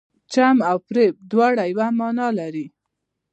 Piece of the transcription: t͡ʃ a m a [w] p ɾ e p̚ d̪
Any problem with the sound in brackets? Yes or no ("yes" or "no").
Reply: no